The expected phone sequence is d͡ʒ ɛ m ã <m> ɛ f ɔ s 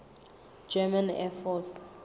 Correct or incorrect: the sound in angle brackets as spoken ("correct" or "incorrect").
incorrect